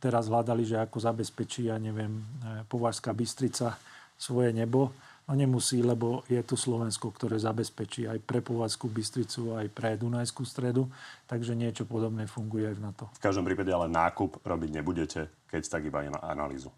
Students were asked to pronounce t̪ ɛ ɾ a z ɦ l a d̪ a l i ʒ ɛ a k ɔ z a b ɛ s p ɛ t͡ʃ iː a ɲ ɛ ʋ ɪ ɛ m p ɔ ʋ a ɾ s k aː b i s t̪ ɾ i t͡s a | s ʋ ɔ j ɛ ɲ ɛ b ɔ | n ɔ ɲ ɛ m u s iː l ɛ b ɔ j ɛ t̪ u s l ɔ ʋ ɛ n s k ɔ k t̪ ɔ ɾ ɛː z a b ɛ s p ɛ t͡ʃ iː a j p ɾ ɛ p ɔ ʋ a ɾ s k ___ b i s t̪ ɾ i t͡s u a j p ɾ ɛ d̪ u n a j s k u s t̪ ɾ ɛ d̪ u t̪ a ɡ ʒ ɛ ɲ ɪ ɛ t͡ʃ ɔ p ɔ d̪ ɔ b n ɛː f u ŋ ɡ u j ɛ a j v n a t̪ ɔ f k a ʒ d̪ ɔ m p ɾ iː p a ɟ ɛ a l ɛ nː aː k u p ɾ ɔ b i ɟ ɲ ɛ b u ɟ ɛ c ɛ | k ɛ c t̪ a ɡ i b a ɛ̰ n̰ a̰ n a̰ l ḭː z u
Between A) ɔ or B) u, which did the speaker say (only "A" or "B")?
B